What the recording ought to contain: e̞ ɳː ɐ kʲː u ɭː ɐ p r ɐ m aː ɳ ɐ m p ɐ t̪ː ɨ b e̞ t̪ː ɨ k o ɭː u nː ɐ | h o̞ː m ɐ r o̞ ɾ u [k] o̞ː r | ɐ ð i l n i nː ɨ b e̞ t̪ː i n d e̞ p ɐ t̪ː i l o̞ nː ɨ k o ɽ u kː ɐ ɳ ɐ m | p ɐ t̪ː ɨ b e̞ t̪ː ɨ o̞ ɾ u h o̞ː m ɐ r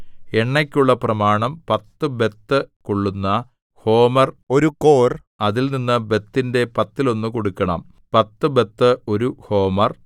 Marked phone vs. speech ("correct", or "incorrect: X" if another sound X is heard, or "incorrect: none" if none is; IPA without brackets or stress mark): correct